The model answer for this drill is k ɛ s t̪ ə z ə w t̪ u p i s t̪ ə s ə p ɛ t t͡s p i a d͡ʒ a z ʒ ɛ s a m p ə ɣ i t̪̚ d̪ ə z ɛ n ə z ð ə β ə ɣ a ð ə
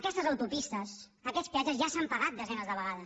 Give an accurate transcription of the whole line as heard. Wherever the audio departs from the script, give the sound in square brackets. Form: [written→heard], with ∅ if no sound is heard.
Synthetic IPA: k ɛ s t̪ ə z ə w t̪ u p i s t̪ ə s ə [p→k] ɛ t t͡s p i a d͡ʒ [a→ə] z ʒ [ɛ→a] s a m p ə ɣ [i→a] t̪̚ d̪ ə z ɛ n ə z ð ə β ə ɣ a ð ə